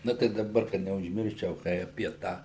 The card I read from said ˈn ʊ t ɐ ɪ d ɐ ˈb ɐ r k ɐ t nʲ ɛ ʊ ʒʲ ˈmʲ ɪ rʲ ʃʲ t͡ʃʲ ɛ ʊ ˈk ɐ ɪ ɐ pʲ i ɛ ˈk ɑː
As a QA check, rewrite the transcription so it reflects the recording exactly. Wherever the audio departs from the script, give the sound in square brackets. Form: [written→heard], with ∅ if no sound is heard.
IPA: ˈn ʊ t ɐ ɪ d ɐ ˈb ɐ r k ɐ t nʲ ɛ ʊ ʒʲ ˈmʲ ɪ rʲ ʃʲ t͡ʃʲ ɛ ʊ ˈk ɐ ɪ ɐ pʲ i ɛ [ˈk→ˈt] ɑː